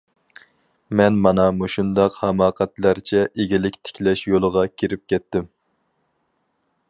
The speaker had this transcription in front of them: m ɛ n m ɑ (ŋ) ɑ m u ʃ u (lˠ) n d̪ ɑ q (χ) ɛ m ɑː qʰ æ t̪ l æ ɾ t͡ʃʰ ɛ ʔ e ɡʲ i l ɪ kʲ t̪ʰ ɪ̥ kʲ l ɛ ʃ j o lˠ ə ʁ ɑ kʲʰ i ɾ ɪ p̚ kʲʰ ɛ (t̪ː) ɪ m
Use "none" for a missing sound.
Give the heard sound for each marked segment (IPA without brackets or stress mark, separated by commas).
n, none, h, t̪ː